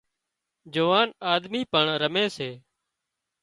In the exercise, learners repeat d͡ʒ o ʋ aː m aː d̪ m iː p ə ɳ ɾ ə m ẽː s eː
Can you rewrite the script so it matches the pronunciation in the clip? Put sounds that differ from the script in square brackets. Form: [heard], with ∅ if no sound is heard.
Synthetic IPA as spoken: d͡ʒ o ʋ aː [n] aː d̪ m iː p ə ɳ ɾ ə m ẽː s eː